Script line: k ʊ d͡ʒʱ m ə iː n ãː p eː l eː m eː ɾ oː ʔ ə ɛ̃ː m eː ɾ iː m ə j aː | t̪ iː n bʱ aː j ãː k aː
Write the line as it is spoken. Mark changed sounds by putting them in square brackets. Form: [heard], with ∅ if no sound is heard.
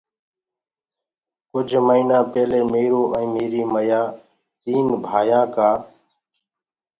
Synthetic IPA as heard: k ʊ d͡ʒʱ m ə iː n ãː p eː l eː m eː ɾ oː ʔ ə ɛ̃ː m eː ɾ iː m ə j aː | t̪ iː n bʱ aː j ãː k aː